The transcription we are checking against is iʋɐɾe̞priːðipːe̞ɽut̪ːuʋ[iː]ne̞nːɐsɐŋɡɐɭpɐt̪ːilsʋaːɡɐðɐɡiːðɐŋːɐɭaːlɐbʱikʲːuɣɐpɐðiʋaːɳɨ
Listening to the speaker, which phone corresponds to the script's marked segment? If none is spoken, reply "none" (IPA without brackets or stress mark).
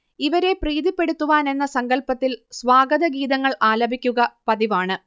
aː